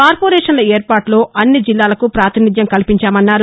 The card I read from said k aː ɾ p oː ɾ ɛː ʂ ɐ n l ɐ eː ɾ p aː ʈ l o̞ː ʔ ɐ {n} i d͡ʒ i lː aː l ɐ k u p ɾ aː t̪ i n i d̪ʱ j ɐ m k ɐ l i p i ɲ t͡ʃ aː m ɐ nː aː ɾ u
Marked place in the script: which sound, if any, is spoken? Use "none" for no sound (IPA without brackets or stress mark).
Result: nː